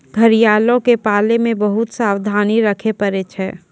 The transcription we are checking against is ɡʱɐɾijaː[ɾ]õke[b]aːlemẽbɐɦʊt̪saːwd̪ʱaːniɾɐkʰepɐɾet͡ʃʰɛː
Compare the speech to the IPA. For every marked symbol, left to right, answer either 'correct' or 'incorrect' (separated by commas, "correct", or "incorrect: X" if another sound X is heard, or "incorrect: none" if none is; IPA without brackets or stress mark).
incorrect: l, incorrect: p